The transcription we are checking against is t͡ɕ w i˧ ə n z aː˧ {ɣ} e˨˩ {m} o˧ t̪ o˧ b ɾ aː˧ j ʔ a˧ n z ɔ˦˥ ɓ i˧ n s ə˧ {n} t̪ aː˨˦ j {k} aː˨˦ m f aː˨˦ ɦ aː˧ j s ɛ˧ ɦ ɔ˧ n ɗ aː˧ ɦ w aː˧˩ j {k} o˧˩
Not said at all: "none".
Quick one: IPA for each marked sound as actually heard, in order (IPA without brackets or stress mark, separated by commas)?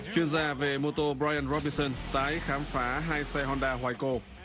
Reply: v, m, n, x, k